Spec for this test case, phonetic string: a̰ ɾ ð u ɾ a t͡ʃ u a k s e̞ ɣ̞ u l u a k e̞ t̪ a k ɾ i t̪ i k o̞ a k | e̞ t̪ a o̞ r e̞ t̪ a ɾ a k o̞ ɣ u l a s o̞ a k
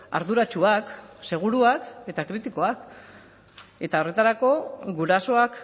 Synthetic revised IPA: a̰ ɾ ð u ɾ a t͡ʃ u a k s e̞ ɣ̞ u ɾ u a k e̞ t̪ a k ɾ i t̪ i k o̞ a k | e̞ t̪ a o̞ r e̞ t̪ a ɾ a k o̞ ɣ u ɾ a s o̞ a k